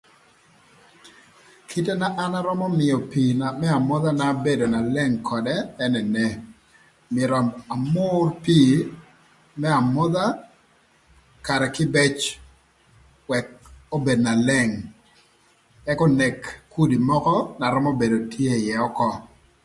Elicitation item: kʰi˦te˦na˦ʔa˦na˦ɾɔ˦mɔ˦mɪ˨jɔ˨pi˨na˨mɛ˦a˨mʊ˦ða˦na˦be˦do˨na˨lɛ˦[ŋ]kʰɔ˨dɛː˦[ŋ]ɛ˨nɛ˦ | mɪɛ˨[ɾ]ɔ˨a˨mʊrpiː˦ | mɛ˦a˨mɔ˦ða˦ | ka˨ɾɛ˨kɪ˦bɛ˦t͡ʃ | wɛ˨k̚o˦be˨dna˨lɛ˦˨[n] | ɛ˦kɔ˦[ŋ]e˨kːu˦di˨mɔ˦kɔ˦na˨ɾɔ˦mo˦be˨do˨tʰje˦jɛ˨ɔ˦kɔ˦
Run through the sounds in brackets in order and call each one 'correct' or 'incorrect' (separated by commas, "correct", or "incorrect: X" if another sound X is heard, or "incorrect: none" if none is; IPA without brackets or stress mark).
correct, incorrect: n, correct, incorrect: ŋ, incorrect: n